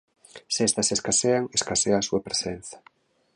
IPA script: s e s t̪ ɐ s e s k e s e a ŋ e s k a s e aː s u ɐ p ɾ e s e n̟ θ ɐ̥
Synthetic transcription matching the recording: s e s t̪ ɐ s e s k a s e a ŋ e s k a s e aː s u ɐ p ɾ e s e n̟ θ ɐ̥